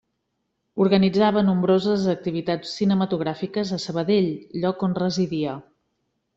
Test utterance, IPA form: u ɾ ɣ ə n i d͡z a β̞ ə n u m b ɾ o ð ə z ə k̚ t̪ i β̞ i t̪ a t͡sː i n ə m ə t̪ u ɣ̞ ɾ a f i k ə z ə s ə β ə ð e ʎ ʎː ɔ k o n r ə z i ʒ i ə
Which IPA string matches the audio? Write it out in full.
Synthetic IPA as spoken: u ɾ ɣ ə n i d͡z a β̞ ə n u m b ɾ o z ə z ə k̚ t̪ i β̞ i t̪ a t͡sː i n ə m ə t̪ u ɣ̞ ɾ a f i k ə z ə s ə β ə ð e ʎ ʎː ɔ k o n r ə z i ð i ə